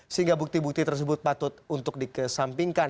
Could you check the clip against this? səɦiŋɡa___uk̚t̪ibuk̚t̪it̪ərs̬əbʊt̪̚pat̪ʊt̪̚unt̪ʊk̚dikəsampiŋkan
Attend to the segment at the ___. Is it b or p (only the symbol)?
b